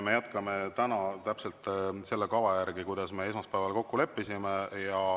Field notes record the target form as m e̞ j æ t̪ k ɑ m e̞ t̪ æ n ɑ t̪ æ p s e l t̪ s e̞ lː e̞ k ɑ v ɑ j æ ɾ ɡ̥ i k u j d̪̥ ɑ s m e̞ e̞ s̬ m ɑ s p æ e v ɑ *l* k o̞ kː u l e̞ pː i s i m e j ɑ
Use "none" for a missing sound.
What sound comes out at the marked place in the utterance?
l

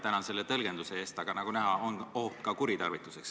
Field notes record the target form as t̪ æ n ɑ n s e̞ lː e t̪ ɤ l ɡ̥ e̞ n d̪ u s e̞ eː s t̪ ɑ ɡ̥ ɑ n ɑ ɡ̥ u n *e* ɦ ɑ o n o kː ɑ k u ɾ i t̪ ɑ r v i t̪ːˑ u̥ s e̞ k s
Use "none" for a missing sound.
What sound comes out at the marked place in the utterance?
æ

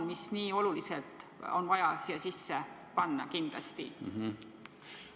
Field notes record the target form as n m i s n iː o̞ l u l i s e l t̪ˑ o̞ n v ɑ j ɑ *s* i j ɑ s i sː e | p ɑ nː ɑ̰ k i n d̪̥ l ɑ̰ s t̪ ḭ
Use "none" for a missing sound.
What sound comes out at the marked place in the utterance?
s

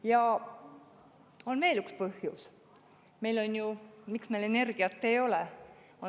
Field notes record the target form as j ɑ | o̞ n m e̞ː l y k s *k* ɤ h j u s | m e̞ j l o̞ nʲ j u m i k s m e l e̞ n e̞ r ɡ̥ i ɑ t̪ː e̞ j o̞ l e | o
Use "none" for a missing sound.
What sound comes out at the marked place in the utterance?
p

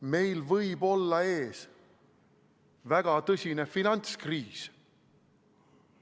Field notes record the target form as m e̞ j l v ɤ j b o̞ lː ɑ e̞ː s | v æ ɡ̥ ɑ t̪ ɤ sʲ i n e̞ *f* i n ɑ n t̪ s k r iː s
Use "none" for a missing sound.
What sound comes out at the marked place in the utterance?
f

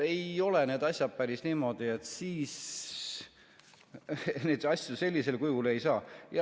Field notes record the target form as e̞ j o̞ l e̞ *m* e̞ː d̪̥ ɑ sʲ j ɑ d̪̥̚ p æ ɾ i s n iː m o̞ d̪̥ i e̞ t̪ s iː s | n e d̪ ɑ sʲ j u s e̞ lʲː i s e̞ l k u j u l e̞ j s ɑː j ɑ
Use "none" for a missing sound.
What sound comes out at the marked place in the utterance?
n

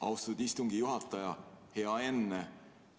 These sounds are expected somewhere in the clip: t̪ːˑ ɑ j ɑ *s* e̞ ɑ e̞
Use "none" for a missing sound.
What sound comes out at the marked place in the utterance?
h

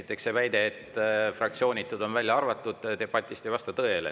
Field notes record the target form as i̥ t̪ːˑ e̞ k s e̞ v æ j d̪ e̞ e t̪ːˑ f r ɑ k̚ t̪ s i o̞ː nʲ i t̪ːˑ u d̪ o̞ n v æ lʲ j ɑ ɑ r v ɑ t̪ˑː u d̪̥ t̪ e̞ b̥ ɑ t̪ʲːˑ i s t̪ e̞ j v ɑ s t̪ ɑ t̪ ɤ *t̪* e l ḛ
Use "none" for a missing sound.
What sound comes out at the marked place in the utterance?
none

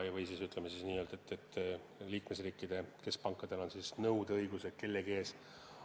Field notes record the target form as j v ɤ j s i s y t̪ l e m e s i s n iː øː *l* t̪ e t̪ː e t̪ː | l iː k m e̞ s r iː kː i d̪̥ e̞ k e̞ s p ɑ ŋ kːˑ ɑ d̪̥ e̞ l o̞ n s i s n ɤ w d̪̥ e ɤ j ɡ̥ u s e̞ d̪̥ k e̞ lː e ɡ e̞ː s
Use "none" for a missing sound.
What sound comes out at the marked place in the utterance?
l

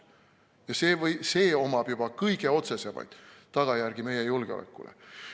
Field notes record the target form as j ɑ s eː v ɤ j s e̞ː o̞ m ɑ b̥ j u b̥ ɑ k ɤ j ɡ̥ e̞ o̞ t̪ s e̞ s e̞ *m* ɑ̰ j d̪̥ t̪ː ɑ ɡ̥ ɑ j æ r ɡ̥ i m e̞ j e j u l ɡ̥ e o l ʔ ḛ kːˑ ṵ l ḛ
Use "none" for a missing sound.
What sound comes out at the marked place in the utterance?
m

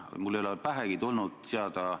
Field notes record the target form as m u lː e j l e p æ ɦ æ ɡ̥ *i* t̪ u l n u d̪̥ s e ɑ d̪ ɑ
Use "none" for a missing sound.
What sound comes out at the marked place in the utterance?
i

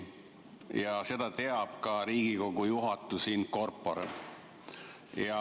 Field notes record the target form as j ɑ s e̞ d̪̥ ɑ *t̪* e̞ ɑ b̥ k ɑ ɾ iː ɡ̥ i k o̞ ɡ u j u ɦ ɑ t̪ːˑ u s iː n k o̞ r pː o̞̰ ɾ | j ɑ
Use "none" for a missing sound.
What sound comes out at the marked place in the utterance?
t̪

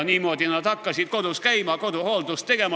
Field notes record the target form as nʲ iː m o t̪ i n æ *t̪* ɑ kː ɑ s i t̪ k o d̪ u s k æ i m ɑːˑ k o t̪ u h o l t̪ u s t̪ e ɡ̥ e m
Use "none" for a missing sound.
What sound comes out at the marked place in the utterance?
t̪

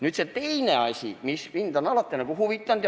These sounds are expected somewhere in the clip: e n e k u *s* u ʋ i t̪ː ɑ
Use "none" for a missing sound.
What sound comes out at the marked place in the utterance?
h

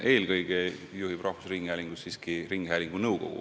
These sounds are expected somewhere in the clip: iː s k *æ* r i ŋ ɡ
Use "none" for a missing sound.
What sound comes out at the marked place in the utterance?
i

